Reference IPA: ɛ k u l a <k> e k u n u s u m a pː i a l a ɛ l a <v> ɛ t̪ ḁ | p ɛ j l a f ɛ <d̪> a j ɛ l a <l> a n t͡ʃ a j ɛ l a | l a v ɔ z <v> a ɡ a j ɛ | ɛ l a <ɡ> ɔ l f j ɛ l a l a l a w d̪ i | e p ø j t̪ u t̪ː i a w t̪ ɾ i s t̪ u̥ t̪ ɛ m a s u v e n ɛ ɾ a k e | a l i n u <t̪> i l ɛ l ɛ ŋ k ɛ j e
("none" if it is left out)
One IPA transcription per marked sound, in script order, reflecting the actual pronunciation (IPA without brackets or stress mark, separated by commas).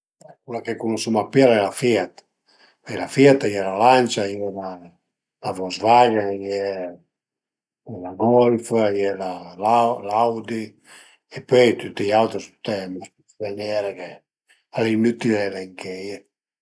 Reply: k, f, t̪, l, v, ɡ, t̪